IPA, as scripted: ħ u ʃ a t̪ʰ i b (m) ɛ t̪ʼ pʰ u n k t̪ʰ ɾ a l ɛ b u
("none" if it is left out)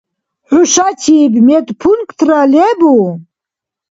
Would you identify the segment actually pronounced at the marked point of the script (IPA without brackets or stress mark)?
m